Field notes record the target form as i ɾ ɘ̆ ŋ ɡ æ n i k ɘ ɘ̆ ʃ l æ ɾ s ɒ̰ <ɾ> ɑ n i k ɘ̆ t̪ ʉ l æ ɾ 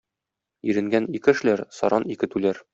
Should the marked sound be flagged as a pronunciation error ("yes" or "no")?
no